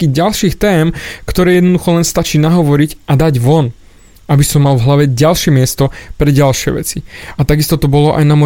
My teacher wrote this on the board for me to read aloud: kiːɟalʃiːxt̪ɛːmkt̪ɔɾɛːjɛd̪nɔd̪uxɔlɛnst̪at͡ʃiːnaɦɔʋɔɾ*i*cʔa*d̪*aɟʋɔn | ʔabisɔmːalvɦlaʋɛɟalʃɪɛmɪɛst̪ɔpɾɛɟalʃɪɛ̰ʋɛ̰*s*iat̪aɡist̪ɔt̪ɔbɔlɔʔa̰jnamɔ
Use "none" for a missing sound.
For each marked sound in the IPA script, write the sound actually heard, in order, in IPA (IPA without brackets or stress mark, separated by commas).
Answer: i, d̪, t͡s